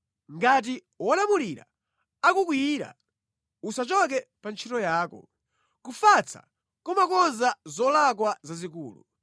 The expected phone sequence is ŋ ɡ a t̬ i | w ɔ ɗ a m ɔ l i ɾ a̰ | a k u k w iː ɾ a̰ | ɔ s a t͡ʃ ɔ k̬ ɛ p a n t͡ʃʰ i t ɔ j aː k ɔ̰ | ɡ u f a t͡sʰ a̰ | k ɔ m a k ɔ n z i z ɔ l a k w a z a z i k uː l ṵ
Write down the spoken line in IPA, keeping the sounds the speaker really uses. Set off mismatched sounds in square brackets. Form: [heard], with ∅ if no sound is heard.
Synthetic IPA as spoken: ŋ ɡ a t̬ i | w ɔ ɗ a m [u] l i ɾ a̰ | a k u k w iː ɾ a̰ | [u] s a t͡ʃ ɔ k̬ ɛ p a n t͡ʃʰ i t ɔ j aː k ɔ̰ | [k] u f a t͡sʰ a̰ | k ɔ m a k ɔ n z [a] z ɔ l a k w a z a z i k uː l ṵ